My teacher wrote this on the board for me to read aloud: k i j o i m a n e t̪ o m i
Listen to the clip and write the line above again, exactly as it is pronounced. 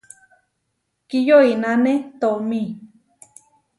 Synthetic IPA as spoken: k i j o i n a n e t̪ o m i